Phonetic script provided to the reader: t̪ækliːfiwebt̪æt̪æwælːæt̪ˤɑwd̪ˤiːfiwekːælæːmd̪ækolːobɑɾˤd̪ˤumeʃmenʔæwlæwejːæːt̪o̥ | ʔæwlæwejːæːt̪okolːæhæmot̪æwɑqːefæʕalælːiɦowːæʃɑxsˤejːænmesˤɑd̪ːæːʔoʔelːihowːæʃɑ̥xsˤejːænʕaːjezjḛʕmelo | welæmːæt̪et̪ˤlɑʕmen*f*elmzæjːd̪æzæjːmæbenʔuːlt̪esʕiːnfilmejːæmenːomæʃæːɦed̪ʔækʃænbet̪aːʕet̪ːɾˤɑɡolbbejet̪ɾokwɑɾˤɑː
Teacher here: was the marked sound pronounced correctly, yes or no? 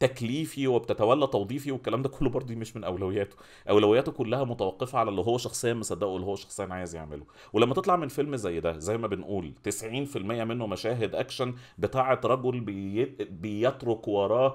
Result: yes